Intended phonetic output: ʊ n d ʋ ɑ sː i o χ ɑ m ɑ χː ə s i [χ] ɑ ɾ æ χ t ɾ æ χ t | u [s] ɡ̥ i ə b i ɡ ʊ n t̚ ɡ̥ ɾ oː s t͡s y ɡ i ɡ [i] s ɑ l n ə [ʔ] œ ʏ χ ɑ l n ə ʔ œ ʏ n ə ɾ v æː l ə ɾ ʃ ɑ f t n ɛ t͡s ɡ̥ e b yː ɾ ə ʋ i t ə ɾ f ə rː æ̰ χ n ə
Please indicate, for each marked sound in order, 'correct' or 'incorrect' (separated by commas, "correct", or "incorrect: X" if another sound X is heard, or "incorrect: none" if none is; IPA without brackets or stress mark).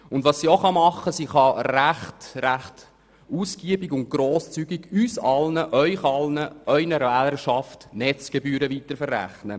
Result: correct, correct, incorrect: y, correct